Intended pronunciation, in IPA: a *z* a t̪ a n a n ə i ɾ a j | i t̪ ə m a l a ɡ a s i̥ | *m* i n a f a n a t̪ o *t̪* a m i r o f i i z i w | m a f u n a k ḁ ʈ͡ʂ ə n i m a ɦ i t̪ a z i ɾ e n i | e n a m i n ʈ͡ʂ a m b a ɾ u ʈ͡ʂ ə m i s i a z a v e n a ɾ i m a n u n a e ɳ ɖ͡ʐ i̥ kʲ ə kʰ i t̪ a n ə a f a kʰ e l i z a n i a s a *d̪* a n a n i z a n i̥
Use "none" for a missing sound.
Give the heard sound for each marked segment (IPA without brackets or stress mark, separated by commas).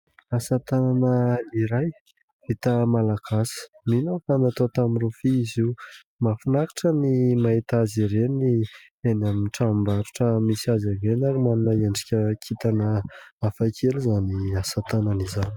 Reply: s, m, t̪, t̪